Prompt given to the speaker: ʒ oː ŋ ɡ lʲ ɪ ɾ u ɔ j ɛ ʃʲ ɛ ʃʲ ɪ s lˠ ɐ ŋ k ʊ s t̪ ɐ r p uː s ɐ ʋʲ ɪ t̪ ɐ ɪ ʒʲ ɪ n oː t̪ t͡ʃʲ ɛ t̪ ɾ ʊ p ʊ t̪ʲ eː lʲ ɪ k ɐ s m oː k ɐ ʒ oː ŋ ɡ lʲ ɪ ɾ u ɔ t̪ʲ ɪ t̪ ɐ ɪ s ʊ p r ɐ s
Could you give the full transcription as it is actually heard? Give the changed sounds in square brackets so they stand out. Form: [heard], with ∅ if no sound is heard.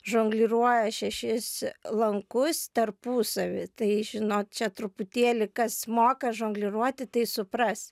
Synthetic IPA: ʒ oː ŋ ɡ lʲ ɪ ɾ u ɔ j ɛ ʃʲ ɛ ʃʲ ɪ s lˠ ɐ ŋ k ʊ s t̪ ɐ r p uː s ɐ ʋʲ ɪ t̪ ɐ ɪ ʒʲ ɪ n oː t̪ t͡ʃʲ ɛ t̪ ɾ ʊ p ʊ t̪ʲ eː lʲ ɪ k ɐ s m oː k ɐ ʒ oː ŋ ɡ lʲ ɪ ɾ u ɔ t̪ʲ ɪ t̪ ɐ ɪ s ʊ p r ɐ s